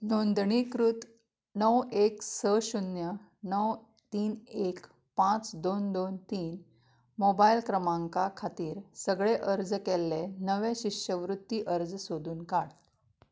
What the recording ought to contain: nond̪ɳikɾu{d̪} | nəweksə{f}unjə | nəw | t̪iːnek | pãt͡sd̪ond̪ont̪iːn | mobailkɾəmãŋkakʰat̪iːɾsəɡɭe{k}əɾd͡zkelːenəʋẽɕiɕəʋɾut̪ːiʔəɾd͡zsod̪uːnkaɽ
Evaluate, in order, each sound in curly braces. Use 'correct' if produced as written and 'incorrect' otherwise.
incorrect, incorrect, incorrect

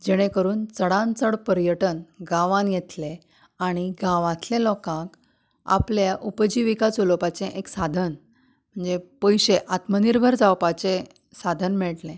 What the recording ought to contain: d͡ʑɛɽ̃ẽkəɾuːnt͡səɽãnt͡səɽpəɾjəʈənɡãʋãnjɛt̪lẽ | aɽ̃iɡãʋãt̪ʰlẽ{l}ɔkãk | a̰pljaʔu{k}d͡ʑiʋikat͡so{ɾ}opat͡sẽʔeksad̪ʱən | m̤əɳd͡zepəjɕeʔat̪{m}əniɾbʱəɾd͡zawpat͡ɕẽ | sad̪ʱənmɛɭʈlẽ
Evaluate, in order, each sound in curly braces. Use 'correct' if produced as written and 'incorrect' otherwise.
correct, incorrect, incorrect, correct

